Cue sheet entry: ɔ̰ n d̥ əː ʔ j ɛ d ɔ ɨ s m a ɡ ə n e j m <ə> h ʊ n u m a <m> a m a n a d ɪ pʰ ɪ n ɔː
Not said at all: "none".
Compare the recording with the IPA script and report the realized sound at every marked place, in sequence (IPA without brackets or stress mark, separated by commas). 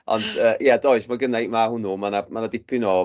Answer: a, n